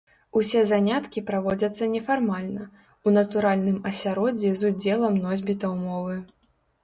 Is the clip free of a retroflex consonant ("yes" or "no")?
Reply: yes